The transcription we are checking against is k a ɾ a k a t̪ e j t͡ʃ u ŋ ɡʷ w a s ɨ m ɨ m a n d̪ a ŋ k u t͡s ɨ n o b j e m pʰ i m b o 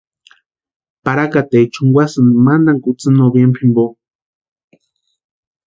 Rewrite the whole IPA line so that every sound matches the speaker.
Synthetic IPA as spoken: p a ɾ a k a t̪ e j t͡ʃ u ŋ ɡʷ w a s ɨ n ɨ m a n d̪ a ŋ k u t͡s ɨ n o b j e m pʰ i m b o